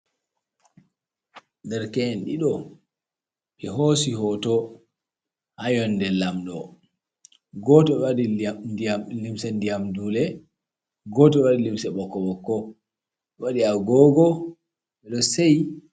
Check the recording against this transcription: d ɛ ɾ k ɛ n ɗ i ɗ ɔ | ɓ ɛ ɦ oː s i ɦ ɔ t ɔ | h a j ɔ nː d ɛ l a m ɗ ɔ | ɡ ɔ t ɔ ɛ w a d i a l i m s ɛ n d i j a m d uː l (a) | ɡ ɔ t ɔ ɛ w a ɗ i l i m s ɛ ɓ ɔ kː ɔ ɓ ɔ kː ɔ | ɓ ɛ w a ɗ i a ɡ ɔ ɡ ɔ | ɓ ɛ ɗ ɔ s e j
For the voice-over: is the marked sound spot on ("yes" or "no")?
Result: no